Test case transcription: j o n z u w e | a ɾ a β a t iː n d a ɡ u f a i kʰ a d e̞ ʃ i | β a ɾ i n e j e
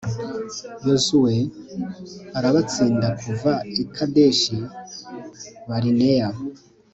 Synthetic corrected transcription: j o z u w e | a ɾ a β a t͡s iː n d a k u v a i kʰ a d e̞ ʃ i | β a ɾ i n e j a

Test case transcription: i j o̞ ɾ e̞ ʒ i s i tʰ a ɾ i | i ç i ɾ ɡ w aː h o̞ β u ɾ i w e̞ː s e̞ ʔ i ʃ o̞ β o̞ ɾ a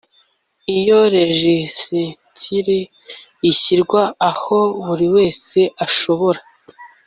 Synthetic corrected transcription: i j o̞ ɾ e̞ ʒ i s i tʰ i ɾ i | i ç i ɾ ɡ w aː h o̞ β u ɾ i w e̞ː s e̞ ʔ a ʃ o̞ β o̞ ɾ a

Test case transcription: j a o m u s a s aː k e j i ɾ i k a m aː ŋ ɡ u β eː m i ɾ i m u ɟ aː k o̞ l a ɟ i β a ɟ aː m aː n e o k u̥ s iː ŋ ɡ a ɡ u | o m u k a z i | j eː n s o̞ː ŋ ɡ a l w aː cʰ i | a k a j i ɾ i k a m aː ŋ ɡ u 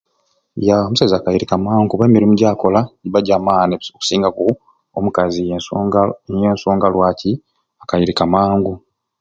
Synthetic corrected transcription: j a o m u s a z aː k a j i ɾ i k a m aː ŋ ɡ u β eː m i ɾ i m u ɟ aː k o̞ l a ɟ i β a ɟ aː m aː n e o k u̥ s iː ŋ ɡ a k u | o m u k a z i | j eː n s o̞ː ŋ ɡ a l w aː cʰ i | a k a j i ɾ i k a m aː ŋ ɡ u

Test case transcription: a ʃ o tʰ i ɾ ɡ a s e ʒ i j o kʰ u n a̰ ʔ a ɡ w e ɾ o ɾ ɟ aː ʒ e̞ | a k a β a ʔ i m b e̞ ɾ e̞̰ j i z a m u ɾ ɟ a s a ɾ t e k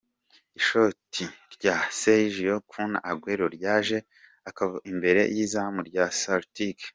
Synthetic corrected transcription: i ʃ o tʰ i ɾ ɟ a s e ʒ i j o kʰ u n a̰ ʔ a ɡ w e ɾ o ɾ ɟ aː ʒ e̞ | a k a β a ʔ i m b e̞ ɾ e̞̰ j i z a m u ɾ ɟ a s a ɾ t i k

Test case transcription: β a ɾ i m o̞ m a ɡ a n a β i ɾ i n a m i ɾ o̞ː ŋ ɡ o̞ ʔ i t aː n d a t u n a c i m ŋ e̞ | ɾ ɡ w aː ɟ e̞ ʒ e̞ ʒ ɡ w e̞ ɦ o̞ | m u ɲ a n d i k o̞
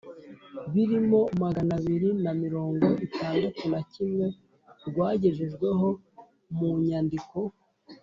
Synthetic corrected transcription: β i ɾ i m o̞ m a ɡ a n a β i ɾ i n a m i ɾ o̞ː ŋ ɡ o̞ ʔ i t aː n d a t u n a c i m ŋ e̞ | ɾ ɡ w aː ɟ e̞ ʒ e̞ ʒ ɡ w e̞ ɦ o̞ | m u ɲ a n d i k o̞

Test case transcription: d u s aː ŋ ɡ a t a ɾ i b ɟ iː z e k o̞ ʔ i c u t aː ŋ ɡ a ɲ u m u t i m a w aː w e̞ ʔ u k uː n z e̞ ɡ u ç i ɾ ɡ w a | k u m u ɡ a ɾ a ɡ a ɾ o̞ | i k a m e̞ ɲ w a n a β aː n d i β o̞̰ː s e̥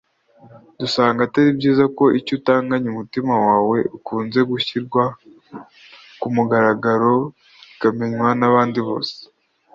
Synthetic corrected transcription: d u s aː ŋ ɡ a t a ɾ i b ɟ iː z a k o̞ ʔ i c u t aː ŋ ɡ a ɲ u m u t i m a w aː w e̞ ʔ u k uː n z e̞ ɡ u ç i ɾ ɡ w a | k u m u ɡ a ɾ a ɡ a ɾ o̞ | i k a m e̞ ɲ w a n a β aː n d i β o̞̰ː s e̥

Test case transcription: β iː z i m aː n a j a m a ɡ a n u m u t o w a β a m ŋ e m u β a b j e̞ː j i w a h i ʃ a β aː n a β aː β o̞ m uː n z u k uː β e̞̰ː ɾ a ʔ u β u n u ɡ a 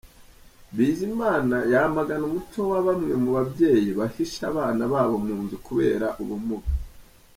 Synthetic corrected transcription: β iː z i m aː n a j a m a ɡ a n u m u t o w a β a m ŋ e m u β a b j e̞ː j i β a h i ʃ a β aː n a β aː β o̞ m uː n z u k u β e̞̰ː ɾ a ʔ u β u m u ɡ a

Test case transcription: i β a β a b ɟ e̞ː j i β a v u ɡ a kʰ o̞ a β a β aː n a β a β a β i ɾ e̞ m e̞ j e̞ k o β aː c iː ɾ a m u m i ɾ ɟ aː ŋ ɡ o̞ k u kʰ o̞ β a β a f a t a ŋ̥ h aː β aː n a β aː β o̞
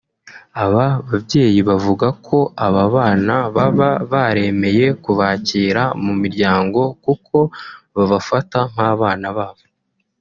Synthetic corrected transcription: a β a β a b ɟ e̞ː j i β a v u ɡ a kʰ o̞ a β a β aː n a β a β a β a ɾ e̞ m e̞ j e̞ k u β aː c iː ɾ a m u m i ɾ ɟ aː ŋ ɡ o̞ k u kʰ o̞ β a β a f a t a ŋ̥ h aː β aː n a β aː β o̞

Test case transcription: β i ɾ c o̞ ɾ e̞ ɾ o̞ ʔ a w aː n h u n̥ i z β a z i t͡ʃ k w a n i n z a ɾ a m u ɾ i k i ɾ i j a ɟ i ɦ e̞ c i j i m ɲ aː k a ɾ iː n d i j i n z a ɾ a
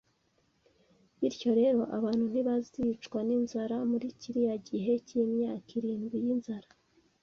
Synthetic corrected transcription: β i ɾ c o̞ ɾ e̞ ɾ o̞ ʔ a β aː n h u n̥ i β a z i t͡ʃ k w a n i n z a ɾ a m u ɾ i c i ɾ i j a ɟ i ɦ e̞ c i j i m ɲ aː k i ɾ iː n ɡ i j i n z a ɾ a

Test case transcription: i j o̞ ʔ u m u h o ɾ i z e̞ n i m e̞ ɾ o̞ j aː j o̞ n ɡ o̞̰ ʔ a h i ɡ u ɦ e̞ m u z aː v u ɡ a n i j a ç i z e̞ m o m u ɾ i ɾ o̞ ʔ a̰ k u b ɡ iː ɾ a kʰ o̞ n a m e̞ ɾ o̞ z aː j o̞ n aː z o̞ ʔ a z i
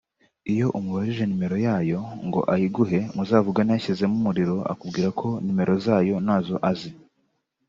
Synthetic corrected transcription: i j o̞ ʔ u m u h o ɾ i ʒ e̞ n i m e̞ ɾ o̞ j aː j o̞ ŋ ɡ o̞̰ ʔ a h i ɡ u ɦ e̞ m u z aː v u ɡ a n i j a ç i z e̞ m u m u ɾ i ɾ o̞ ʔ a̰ k u b ɡ iː ɾ a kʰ o̞ n i m e̞ ɾ o̞ z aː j o̞ n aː z o̞ ʔ a z i

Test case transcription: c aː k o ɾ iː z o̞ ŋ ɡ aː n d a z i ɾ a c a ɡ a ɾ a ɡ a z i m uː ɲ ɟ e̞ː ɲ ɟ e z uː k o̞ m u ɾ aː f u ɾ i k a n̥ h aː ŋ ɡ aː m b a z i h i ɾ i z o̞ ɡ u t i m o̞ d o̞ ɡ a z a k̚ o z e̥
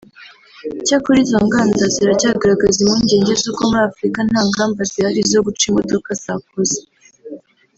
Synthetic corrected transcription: c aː k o ɾ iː z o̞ ŋ ɡ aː n d a z i ɾ a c a ɡ a ɾ a ɡ a z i m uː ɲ ɟ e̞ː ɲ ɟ e z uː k o̞ m u ɾ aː f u ɾ i k a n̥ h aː ŋ ɡ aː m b a z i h a ɾ i z o̞ ɡ u t͡ʃ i m o̞ d o̞ k a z a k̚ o z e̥

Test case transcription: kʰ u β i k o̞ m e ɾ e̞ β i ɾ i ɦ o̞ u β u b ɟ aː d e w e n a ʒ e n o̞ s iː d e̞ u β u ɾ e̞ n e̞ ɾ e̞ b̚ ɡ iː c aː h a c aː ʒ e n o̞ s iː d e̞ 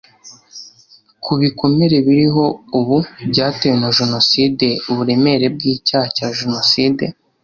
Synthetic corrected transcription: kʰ u β i k o̞ m e ɾ e̞ β i ɾ i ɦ o̞ u β u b ɟ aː t e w e n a ʒ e n o̞ s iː d e̞ u β u ɾ e̞ m e̞ ɾ e̞ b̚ ɡ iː c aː h a c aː ʒ e n o̞ s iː d e̞

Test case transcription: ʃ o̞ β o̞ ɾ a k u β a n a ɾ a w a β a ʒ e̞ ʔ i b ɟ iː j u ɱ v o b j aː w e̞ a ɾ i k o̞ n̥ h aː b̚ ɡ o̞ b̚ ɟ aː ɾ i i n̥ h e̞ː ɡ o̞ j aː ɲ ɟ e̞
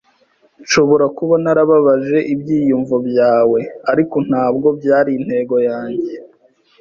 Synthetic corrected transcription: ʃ o̞ β o̞ ɾ a k u β a n a ɾ a β a β a ʒ e̞ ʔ i b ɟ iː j u ɱ v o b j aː w e̞ a ɾ i k o̞ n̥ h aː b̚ ɡ o̞ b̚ ɟ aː ɾ i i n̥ h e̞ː ɡ o̞ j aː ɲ ɟ e̞

